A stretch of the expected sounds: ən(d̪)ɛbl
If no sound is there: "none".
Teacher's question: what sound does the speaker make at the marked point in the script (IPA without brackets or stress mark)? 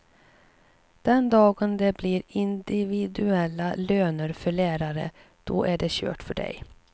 d̪